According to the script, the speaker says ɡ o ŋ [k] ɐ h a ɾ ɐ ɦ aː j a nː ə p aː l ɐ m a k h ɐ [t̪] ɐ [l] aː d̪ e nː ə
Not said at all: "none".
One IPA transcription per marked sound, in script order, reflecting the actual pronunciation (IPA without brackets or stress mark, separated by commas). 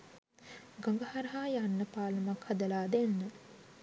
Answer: ɡ, d̪, l